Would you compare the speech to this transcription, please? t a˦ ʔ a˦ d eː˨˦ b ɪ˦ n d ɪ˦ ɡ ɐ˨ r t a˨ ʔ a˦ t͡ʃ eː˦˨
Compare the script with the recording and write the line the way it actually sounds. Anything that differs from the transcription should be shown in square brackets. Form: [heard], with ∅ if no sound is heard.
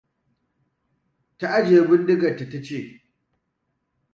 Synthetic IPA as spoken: t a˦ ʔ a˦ [d͡ʒ] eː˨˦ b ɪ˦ n d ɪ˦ ɡ ɐ˨ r t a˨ [t] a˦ t͡ʃ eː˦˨